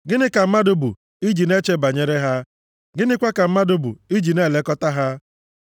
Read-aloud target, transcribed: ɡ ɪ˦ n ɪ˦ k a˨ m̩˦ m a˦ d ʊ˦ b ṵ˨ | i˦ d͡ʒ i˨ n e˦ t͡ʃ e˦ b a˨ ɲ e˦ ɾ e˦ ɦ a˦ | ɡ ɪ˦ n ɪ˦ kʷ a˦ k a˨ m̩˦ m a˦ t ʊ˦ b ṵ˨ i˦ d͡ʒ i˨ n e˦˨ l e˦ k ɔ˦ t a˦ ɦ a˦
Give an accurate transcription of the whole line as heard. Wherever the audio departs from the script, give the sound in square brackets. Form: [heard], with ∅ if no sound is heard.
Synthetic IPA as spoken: ɡ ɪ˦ n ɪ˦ k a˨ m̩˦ m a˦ d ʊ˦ b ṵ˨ | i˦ d͡ʒ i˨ n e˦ t͡ʃ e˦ b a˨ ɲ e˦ ɾ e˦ ɦ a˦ | ɡ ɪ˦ n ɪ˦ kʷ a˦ k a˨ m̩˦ m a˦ [d] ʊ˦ b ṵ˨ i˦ d͡ʒ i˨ n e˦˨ l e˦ k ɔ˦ t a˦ ɦ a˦